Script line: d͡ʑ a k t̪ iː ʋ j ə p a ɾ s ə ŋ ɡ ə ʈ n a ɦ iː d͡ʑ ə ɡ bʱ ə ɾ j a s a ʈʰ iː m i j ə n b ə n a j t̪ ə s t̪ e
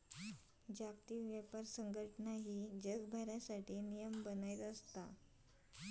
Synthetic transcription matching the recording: d͡ʑ a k t̪ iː ʋ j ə p a ɾ s ə ŋ ɡ ə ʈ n a ɦ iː d͡ʑ ə ɡ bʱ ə ɾ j a s a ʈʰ iː n i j ə m b ə n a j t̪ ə s t̪ a

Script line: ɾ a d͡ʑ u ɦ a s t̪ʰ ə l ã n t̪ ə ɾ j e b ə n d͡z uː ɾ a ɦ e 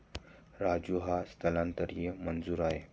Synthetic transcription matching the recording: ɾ a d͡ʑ u ɦ a s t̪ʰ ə l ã n t̪ ə ɾ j e m ə n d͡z uː ɾ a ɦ e

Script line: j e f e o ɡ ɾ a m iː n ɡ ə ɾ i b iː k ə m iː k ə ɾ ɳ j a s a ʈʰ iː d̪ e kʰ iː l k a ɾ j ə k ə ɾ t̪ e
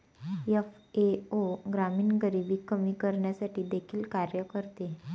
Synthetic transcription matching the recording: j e f e o ɡ ɾ a m iː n ɡ ə ɾ i b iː k ə m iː k ə ɾ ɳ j a s a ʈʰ iː d̪ e kʰ iː l k a ɾ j ə k ə ɾ t̪ e

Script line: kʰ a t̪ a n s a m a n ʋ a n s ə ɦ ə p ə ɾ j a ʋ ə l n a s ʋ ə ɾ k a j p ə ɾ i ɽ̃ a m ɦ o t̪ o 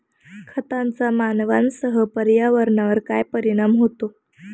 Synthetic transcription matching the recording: kʰ ə t̪ a n t͡s a m a n ʋ a n s ə ɦ ə p ə ɾ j a ʋ ə ɾ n a ʋ ə ɾ k a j p ə ɾ i ɽ̃ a m ɦ o t̪ o

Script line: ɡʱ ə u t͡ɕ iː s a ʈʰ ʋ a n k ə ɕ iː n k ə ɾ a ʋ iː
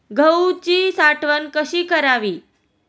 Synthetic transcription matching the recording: ɡʱ ə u t͡ɕ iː s a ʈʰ ʋ ə n k ə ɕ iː k ə ɾ a ʋ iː

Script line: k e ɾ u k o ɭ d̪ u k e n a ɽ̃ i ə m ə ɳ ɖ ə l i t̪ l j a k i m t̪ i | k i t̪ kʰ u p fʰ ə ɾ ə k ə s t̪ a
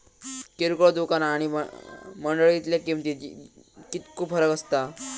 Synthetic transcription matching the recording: k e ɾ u k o ɭ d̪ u k a n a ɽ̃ i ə m ə ɳ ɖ ə ɭ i t̪ l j a k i m t̪ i | k i t̪ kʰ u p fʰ ə ɾ ə k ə s t̪ a

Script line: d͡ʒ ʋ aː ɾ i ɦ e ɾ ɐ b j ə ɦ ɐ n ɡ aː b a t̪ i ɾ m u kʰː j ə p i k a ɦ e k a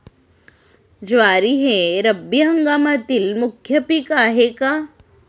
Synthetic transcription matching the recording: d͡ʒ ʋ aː ɾ i ɦ e ɾ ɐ b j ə ɦ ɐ ŋ ɡ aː m a t̪ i l m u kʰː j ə p i k a ɦ e k a

